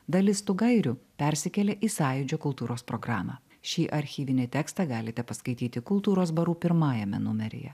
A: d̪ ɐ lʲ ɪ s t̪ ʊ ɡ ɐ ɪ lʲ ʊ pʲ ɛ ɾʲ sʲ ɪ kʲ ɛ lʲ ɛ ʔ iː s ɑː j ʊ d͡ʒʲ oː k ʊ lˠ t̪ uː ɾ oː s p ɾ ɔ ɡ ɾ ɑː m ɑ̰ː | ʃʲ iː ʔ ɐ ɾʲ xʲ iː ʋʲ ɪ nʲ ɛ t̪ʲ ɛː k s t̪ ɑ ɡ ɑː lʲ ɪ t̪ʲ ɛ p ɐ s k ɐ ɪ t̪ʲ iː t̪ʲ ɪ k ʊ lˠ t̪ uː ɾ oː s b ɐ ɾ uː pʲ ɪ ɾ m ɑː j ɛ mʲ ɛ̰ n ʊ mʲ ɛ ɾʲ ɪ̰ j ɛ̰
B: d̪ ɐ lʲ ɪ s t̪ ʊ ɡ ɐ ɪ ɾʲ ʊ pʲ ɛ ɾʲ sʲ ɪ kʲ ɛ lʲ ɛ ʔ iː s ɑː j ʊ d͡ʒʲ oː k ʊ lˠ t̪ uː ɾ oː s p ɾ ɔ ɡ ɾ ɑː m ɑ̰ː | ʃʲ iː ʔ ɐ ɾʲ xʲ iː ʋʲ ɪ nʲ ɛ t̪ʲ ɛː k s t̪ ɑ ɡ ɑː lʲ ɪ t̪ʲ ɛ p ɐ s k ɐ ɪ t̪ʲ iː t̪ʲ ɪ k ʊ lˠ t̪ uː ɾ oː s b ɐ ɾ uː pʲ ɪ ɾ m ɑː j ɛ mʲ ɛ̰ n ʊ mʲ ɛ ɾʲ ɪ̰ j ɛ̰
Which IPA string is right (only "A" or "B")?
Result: B